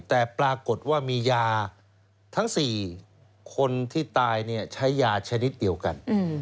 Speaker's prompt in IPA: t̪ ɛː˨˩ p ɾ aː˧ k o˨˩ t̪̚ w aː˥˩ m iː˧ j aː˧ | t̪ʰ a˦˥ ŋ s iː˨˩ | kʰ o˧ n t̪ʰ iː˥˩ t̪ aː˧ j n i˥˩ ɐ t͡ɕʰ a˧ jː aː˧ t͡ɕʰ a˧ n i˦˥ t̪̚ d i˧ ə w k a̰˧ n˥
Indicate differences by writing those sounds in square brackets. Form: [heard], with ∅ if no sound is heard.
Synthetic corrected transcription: t̪ ɛː˨˩ p ɾ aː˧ k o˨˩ t̪̚ w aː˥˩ m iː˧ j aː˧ | t̪ʰ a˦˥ ŋ s iː˨˩ | kʰ o˧ n t̪ʰ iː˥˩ t̪ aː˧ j n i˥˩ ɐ t͡ɕʰ [a˦˥] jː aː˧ t͡ɕʰ a˧ n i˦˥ t̪̚ d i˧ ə w k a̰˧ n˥